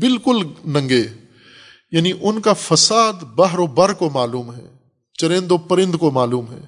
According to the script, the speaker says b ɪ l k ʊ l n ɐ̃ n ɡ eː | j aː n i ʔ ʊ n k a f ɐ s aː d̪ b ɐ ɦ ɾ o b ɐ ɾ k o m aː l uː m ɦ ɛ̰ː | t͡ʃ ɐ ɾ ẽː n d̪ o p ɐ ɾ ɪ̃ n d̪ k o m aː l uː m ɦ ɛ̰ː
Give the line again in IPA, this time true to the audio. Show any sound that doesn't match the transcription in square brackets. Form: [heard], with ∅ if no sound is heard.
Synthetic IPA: b ɪ l k ʊ l n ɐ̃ [ŋ] ɡ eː | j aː n i ʔ ʊ n k a f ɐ s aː d̪ b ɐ ɦ ɾ o b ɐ ɾ k o m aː l uː m ɦ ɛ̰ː | t͡ʃ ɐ ɾ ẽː n d̪ o p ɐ ɾ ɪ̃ n d̪ k o m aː l uː m ɦ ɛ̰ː